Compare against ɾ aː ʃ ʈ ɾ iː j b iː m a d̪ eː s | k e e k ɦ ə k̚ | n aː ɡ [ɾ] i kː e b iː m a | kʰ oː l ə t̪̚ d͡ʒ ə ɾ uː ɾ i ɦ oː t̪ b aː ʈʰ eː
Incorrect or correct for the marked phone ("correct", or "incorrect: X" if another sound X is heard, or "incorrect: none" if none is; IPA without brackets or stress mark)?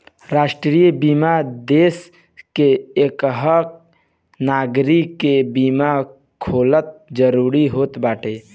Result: correct